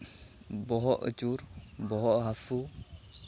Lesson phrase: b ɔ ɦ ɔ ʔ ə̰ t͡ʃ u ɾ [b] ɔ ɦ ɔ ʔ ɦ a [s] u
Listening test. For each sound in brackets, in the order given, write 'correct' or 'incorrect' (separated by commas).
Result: correct, incorrect